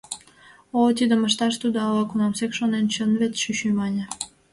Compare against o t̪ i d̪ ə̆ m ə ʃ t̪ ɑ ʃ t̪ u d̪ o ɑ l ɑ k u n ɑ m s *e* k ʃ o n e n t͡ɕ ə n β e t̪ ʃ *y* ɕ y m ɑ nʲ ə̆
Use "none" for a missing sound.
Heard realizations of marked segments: e, y

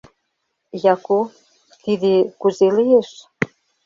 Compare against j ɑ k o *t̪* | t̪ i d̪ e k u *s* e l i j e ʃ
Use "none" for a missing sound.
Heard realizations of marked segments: none, z

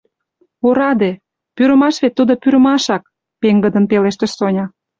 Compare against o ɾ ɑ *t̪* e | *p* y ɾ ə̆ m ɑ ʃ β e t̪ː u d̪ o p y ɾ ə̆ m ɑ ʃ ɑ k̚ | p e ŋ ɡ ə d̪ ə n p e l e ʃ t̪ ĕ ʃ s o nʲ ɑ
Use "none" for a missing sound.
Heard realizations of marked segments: d̪, p

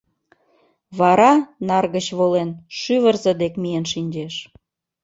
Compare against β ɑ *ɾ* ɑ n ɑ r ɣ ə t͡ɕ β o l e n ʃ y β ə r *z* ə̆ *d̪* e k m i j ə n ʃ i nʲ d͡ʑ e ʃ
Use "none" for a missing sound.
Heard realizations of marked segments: ɾ, z, d̪

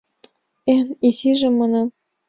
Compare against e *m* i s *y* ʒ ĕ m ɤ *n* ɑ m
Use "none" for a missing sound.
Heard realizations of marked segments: n, i, n

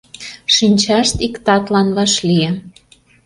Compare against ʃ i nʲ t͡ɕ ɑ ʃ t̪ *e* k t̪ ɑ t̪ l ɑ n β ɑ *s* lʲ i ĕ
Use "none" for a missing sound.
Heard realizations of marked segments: i, ʃ

